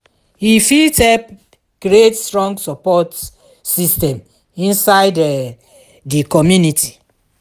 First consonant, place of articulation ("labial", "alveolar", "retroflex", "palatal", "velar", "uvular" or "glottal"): glottal